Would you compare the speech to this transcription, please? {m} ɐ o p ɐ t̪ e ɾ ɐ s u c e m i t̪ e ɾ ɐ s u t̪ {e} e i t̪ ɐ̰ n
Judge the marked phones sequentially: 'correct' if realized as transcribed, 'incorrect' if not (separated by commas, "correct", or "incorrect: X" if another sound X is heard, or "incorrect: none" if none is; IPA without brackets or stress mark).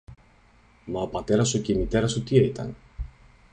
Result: correct, incorrect: i